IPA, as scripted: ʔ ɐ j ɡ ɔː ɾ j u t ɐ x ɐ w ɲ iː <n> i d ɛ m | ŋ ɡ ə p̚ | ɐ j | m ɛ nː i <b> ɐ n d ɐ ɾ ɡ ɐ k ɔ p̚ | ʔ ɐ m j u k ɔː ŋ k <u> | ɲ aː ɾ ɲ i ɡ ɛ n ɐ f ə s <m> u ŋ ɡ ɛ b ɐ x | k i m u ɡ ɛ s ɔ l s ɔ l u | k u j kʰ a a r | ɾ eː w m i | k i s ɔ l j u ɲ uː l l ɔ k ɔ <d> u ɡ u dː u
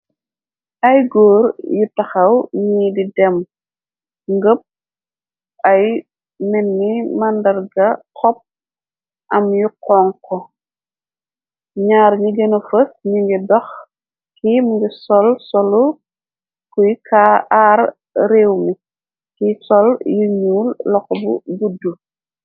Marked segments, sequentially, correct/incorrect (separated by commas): incorrect, incorrect, incorrect, incorrect, incorrect